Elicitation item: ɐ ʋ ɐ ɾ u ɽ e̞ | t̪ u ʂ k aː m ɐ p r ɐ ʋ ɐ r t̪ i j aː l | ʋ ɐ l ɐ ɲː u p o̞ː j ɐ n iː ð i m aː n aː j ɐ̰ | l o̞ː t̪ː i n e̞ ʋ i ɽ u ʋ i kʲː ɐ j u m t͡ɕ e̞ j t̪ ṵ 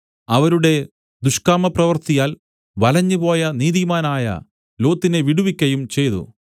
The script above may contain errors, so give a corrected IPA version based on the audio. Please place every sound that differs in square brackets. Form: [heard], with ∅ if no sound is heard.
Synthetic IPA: ɐ ʋ ɐ ɾ u ɽ e̞ | [d̪] u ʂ k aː m ɐ p r ɐ ʋ ɐ r t̪ i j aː l | ʋ ɐ l ɐ ɲː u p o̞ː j ɐ n iː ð i m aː n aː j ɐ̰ | l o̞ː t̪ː i n e̞ ʋ i ɽ u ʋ i kʲː ɐ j u m t͡ɕ e̞ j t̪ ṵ